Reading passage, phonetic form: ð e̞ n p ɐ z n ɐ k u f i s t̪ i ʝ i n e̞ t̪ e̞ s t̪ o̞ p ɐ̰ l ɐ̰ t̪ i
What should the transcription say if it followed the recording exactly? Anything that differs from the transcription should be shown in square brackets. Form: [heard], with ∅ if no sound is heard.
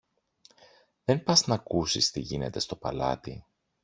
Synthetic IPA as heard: ð e̞ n p ɐ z n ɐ k u [s] i s t̪ i ʝ i n e̞ t̪ e̞ s t̪ o̞ p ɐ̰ l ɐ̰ t̪ i